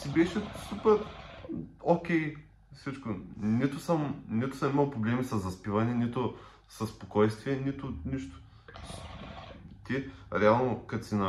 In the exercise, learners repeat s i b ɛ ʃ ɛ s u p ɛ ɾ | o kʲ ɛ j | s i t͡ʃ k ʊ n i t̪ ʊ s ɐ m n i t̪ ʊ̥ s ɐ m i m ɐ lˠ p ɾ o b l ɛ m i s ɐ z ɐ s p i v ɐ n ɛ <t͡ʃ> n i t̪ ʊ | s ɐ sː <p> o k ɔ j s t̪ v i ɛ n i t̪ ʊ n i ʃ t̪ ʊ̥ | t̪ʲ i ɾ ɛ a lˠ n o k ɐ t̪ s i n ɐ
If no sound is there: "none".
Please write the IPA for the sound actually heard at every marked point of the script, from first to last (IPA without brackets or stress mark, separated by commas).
none, p